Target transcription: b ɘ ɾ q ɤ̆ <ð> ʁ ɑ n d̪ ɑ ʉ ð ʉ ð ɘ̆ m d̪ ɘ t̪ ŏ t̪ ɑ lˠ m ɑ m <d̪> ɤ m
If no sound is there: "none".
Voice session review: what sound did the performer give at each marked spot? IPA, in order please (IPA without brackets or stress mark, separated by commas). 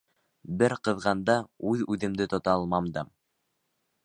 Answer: ð, d̪